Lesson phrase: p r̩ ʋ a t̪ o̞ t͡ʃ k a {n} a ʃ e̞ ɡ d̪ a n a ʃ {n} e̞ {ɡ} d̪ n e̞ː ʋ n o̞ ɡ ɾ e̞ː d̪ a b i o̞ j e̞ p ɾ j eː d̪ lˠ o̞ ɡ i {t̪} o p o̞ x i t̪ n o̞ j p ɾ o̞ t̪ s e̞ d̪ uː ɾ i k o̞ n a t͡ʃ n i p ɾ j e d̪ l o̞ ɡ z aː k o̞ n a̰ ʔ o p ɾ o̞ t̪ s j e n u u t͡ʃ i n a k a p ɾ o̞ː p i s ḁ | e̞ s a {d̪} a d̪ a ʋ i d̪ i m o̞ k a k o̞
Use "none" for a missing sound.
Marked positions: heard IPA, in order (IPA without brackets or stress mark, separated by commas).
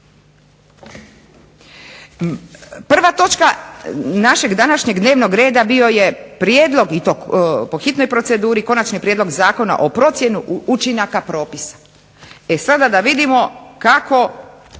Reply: n, ɲ, ɡ, t̪, d̪